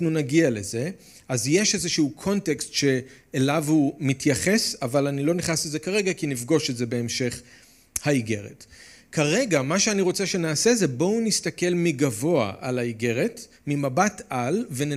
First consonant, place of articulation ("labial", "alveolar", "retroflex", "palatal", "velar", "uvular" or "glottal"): alveolar